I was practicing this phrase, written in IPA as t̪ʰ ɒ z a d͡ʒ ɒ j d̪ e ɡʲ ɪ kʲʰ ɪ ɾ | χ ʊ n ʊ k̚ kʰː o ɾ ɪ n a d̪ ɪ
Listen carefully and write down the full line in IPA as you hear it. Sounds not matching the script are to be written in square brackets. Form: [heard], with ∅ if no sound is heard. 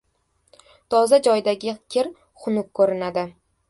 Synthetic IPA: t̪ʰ ɒ z a d͡ʒ ɒ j d̪ [a] ɡʲ ɪ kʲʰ ɪ ɾ | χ ʊ n ʊ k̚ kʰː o ɾ ɪ n a d̪ ɪ